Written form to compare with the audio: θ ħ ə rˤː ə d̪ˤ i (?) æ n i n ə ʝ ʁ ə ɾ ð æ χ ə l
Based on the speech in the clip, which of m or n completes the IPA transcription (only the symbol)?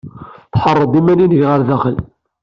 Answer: m